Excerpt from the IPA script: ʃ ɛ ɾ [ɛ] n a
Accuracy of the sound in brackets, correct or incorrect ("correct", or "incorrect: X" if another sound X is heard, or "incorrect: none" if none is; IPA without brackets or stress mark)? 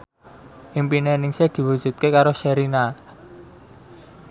incorrect: i